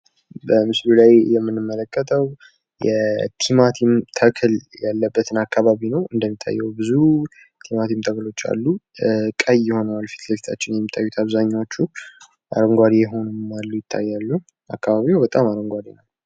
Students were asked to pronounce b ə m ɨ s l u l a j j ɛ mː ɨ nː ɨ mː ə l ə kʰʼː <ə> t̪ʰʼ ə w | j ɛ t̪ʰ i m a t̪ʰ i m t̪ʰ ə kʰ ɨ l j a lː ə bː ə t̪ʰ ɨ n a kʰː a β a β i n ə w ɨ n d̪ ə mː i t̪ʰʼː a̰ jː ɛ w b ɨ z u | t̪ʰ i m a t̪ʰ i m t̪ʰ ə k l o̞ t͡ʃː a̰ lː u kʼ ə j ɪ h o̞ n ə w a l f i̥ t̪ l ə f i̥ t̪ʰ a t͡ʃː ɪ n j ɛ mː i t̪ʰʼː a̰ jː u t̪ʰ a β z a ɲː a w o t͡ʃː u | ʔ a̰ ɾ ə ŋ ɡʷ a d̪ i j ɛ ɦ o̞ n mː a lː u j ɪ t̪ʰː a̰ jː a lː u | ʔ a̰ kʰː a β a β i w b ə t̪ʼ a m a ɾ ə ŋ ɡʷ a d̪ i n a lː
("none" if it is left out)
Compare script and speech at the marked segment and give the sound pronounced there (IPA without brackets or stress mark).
ə